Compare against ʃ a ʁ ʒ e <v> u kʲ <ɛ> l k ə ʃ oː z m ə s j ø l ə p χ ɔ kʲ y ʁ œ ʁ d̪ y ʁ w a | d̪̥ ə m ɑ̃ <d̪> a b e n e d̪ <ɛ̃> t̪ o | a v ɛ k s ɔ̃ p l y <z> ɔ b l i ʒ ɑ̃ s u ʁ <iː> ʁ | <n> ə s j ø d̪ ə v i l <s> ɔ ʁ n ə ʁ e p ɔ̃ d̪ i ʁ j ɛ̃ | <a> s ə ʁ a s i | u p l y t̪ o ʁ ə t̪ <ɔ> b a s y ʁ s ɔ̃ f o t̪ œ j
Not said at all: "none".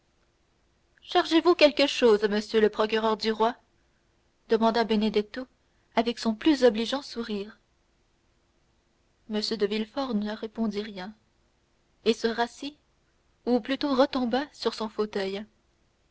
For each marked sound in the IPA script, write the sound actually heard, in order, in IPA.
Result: v, ɛ, d̪, ɛ, z, iː, m, f, e, ɔ̃

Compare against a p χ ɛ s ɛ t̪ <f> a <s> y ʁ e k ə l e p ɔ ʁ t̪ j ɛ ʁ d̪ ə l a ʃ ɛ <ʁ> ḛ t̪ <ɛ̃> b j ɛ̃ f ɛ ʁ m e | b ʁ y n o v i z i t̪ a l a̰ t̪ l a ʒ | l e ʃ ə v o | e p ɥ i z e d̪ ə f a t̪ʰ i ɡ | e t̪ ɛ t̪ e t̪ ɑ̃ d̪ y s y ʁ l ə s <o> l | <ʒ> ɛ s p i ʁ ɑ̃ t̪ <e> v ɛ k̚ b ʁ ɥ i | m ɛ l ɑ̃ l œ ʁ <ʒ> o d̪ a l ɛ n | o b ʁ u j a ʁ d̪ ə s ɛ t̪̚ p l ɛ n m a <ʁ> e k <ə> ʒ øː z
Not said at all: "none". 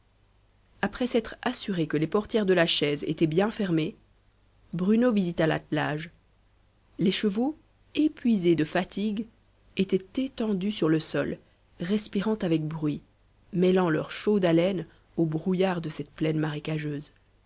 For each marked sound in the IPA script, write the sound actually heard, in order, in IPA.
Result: χ, s, z, ɛ, ɔ, ʁ, a, ʃ, ʁ, a

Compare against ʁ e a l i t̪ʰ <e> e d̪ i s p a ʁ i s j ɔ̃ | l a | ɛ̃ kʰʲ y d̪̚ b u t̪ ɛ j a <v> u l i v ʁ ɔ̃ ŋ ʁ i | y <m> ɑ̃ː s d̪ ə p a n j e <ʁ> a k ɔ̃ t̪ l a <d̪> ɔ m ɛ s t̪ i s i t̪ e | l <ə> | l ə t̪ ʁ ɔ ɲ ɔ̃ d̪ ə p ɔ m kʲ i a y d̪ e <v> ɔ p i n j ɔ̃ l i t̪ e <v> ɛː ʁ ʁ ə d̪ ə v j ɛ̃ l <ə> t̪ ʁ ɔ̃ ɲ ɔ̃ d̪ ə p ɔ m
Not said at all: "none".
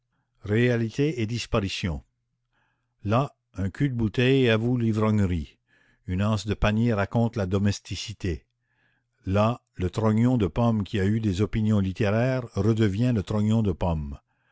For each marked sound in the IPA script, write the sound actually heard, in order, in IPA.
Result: e, v, n, ʁ, d̪, a, z, ʁ, ə

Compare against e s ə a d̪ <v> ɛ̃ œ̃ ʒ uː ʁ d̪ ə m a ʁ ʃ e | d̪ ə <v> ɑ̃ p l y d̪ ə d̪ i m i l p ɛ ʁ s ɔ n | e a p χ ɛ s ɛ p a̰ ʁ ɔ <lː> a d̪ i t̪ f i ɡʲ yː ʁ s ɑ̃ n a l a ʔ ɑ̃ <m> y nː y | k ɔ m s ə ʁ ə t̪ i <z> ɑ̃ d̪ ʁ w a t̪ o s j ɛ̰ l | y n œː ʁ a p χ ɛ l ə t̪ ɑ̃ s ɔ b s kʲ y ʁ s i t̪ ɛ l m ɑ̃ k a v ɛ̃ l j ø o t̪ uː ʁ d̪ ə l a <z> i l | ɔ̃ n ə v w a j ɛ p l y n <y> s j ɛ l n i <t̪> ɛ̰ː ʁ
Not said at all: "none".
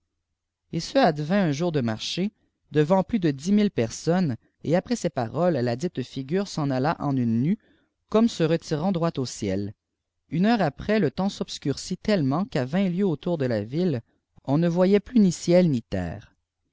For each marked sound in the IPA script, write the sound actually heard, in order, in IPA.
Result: v, v, lː, n, ʁ, v, i, t̪

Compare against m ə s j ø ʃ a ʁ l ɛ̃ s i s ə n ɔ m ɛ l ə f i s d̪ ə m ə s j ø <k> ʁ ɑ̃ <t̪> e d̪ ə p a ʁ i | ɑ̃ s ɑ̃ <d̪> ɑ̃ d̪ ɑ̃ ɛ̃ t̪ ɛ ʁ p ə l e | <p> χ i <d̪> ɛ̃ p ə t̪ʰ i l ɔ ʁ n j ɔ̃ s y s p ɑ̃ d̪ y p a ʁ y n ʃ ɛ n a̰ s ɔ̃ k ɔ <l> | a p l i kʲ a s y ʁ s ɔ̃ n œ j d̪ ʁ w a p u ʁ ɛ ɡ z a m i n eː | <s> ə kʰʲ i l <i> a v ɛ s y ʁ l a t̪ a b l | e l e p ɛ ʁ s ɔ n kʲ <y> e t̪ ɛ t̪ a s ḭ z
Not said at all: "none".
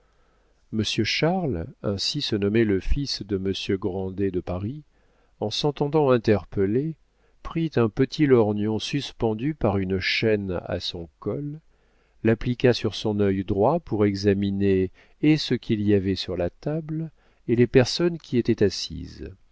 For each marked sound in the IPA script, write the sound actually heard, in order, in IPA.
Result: ɡ, d̪, t̪, p, t̪, lː, s, i, i

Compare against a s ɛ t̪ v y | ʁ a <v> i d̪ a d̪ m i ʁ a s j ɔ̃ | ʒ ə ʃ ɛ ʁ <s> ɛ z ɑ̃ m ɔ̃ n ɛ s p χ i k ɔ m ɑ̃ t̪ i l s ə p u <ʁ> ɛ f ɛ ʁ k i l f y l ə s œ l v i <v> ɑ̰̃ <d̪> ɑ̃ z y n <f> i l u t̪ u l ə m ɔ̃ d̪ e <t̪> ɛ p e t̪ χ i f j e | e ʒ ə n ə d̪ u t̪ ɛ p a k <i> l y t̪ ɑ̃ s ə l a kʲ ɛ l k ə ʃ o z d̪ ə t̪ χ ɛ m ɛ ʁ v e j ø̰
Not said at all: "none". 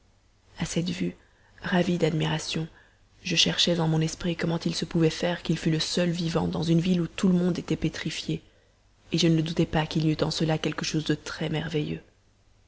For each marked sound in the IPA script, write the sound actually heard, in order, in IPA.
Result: v, ʃ, v, v, d̪, v, t̪, i

